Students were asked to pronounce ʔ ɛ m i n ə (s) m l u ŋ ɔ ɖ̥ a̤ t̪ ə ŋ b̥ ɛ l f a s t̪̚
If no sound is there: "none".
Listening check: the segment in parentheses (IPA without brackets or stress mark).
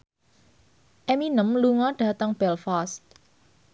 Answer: none